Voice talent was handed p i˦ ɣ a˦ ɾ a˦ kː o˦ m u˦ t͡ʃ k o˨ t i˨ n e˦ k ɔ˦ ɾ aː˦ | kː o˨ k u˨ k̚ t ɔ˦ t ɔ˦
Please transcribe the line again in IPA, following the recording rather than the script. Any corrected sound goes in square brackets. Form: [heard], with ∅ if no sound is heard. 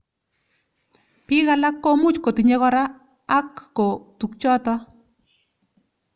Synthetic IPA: p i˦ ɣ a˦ [l] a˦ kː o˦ m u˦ t͡ʃ k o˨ t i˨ [ɲ] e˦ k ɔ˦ ɾ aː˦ | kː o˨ [t] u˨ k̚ [t͡ʃ] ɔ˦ t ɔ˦